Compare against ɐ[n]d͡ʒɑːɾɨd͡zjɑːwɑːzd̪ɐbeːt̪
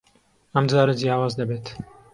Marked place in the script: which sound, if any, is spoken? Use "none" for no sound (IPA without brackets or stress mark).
m